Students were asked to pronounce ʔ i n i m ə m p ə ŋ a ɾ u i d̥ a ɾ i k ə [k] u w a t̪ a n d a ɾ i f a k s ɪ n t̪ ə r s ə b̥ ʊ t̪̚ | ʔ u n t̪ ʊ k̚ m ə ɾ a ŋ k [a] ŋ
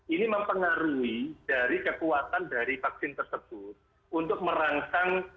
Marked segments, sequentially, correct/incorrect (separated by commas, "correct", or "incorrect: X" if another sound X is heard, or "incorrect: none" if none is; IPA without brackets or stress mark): correct, correct